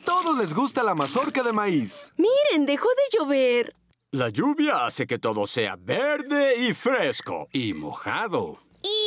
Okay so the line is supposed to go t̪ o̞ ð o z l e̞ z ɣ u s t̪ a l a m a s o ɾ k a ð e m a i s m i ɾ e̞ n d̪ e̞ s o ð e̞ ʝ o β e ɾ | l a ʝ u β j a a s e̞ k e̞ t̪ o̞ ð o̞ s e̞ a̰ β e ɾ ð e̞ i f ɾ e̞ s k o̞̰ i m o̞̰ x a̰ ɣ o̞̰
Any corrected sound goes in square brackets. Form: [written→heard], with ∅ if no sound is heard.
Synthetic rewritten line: t̪ o̞ ð o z l e̞ z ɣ u s t̪ a l a m a s o ɾ k a ð e m a i s m i ɾ e̞ n d̪ e̞ [s→x] o ð e̞ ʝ o β e ɾ | l a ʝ u β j a a s e̞ k e̞ t̪ o̞ ð o̞ s e̞ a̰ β e ɾ ð e̞ i f ɾ e̞ s k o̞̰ i m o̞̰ x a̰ [ɣ→ð] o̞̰